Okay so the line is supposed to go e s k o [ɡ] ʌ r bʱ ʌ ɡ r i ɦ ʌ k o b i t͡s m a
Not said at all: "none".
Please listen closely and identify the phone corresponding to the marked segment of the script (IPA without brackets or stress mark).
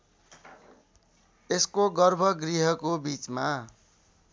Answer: ɡ